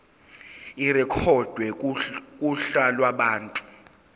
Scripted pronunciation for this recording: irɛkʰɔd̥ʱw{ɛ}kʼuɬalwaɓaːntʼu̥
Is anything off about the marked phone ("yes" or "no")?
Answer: no